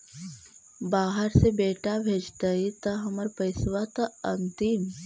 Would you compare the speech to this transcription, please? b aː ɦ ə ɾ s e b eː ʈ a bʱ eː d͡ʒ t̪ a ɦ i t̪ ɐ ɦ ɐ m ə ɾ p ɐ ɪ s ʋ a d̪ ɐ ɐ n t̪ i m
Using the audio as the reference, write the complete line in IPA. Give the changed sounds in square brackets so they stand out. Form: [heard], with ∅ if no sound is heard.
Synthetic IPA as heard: b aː ɦ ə ɾ s e b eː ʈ a bʱ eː d͡ʒ t̪ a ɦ i t̪ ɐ ɦ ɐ m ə ɾ p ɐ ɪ s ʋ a [t̪] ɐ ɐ n t̪ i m